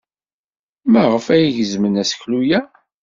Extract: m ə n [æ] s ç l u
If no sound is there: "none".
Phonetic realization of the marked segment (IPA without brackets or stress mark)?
æ